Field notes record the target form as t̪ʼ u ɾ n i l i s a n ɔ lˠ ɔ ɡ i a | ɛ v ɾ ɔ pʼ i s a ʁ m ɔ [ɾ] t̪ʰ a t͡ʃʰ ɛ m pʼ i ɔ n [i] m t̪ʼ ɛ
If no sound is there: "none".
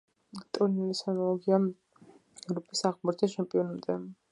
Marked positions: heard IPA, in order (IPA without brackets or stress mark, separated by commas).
ɾ, a